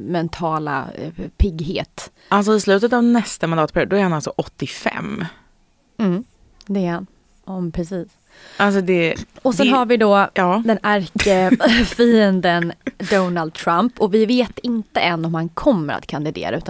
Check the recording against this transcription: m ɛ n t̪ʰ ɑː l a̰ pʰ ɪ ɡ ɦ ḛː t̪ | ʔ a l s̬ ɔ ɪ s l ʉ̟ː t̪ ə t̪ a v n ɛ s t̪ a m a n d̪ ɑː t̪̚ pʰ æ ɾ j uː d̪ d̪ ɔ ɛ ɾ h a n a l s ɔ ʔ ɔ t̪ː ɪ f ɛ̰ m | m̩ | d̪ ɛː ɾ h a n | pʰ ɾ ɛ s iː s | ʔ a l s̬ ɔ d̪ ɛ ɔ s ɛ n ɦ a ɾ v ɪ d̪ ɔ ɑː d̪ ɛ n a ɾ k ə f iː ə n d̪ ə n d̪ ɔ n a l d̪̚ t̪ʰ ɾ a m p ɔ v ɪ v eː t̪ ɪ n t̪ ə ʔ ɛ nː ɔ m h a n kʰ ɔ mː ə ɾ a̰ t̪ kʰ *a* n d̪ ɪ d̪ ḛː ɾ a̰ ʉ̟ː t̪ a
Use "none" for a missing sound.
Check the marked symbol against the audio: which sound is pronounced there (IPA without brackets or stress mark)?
a